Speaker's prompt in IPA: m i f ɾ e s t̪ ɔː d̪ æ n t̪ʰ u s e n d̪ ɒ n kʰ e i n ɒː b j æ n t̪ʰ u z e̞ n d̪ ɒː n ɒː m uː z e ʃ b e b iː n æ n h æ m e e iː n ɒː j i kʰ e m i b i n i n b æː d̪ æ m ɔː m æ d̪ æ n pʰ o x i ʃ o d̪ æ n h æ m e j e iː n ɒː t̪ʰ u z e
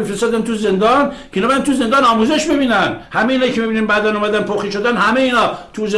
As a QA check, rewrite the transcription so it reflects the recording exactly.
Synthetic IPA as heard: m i f ɾ e s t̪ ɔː d̪ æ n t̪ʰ u z e n d̪ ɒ n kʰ e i n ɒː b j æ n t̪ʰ u z e̞ n d̪ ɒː n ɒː m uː z e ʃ b e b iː n æ n h æ m e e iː n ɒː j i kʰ e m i b i n i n b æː d̪ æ n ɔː m æ d̪ æ n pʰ o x i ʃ o d̪ æ n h æ m e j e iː n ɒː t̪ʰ u z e